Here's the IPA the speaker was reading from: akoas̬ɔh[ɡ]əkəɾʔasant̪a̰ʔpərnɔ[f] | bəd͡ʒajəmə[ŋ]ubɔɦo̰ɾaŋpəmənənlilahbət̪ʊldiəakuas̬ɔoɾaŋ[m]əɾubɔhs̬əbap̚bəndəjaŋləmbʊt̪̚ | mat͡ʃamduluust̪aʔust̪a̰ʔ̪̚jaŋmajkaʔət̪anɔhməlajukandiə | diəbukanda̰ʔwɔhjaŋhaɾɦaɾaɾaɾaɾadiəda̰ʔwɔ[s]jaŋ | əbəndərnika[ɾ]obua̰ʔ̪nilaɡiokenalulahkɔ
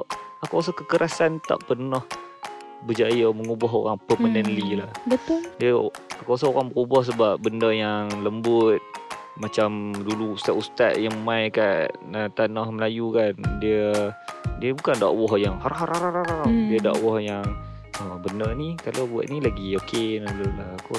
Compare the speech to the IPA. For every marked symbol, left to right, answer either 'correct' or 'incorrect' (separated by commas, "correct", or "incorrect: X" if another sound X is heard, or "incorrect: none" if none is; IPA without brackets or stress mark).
incorrect: k, incorrect: h, correct, incorrect: b, incorrect: h, incorrect: l